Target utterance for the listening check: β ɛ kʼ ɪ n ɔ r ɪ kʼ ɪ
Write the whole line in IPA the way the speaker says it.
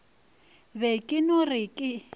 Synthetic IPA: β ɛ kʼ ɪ n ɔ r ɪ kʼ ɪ